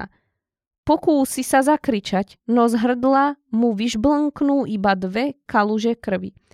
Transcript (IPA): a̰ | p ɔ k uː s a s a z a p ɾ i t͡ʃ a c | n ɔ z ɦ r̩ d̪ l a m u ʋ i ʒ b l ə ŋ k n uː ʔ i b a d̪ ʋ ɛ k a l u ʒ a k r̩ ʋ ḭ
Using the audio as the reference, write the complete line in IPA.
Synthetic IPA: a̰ | p ɔ k uː s i s a z a k ɾ i t͡ʃ a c | n ɔ z ɦ r̩ d̪ l a m u ʋ i ʒ b l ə ŋ k n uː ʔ i b a d̪ ʋ ɛ k a l u ʒ ɛ k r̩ ʋ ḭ